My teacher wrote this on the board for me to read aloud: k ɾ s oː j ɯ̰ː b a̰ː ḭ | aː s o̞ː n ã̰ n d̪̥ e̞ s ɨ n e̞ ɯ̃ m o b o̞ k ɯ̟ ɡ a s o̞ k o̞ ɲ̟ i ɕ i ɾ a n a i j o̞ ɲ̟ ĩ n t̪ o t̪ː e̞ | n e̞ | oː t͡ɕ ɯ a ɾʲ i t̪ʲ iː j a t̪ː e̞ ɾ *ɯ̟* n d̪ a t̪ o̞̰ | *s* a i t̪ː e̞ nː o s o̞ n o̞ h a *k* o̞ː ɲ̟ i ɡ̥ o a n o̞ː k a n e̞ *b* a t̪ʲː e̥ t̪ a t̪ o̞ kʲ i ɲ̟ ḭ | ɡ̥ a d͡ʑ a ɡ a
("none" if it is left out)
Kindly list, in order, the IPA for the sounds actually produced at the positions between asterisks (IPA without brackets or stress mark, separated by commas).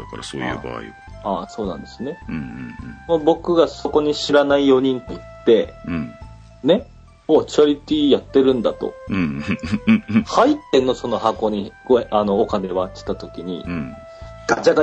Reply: ɯ̟̃, h, k, β